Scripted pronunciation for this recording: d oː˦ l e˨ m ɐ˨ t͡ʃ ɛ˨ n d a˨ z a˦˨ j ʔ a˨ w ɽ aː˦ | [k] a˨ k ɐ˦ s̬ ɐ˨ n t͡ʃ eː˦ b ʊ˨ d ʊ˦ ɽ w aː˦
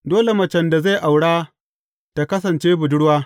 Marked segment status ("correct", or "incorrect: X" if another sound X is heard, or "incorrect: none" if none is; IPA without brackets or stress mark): incorrect: t